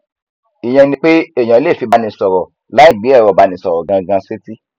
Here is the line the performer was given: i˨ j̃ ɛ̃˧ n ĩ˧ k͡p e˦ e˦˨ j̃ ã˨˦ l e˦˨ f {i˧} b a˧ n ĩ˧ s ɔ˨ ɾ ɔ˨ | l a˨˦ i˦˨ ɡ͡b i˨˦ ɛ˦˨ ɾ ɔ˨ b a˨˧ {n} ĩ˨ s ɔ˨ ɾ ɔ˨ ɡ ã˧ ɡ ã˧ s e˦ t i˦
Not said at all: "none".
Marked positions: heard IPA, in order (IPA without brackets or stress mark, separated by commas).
i˧, n